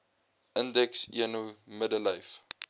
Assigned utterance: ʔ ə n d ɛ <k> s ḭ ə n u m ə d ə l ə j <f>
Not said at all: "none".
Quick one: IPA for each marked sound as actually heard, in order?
k, f

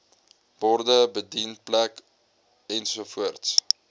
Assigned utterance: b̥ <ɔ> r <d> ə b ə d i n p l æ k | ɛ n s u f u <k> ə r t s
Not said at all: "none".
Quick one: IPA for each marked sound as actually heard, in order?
ɔ, d, none

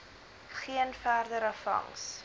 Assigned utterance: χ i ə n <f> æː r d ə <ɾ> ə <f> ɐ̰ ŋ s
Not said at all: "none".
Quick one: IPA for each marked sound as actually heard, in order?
f, ɾ, f

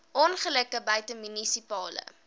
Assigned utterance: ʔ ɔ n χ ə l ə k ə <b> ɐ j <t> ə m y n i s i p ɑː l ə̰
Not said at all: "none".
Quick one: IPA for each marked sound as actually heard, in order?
b, t

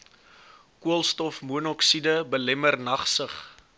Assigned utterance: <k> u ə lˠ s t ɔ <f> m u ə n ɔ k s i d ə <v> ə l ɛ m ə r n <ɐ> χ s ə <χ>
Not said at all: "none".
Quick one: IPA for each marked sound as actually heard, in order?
k, f, b, ɐ, χ

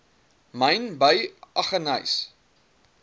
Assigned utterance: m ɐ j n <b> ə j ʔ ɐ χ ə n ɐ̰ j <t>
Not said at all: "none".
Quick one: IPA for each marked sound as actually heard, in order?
b, s

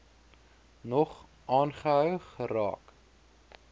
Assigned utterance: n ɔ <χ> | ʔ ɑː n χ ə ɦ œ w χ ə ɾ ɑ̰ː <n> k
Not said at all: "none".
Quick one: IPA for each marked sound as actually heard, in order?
χ, none

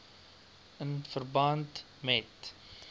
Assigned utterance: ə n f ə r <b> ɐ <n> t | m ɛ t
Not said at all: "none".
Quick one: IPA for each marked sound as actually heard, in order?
b, n

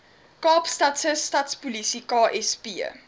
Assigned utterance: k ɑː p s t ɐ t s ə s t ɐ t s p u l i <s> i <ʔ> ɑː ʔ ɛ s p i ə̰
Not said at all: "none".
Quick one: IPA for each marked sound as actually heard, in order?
s, k

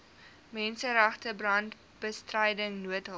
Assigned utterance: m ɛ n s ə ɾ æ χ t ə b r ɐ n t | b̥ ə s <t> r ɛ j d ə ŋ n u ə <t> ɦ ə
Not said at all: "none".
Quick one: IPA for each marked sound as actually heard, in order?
t, t

